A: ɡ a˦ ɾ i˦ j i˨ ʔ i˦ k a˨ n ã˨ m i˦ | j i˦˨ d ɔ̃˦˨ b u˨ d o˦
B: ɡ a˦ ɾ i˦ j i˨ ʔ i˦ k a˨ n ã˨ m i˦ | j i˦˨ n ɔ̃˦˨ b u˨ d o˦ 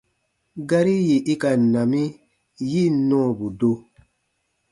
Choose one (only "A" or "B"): B